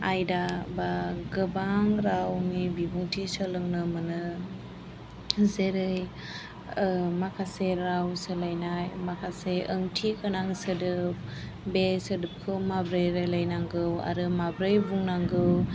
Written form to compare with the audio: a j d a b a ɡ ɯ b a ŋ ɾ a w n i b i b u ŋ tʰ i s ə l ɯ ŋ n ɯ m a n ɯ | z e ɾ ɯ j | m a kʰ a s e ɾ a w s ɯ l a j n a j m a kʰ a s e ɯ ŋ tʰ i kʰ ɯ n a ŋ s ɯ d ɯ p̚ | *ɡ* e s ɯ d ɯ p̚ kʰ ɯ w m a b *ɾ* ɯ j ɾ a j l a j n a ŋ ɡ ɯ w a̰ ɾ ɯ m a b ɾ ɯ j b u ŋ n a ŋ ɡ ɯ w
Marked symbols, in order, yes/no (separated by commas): no, yes